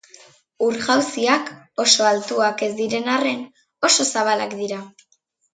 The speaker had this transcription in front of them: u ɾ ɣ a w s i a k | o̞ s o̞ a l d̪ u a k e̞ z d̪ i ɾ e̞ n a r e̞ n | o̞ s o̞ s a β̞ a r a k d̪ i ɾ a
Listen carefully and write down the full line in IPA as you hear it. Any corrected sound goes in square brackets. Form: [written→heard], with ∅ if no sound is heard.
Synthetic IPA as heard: u ɾ ɣ a w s i a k | o̞ s o̞ a l [d̪→t̪] u a k e̞ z d̪ i ɾ e̞ n a r e̞ n | o̞ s o̞ s a β̞ a [r→l] a k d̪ i ɾ a